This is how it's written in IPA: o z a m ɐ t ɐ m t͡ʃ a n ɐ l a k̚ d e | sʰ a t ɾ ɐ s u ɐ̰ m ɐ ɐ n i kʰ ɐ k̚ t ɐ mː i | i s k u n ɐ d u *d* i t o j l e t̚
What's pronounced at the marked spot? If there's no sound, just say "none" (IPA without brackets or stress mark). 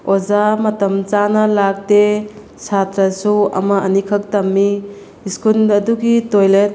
ɡ